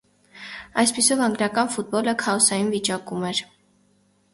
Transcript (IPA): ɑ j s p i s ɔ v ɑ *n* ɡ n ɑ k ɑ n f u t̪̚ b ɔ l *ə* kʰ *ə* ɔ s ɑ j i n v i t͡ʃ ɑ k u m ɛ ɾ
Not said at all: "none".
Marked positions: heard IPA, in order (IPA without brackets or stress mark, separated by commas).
ŋ, ə, ɑ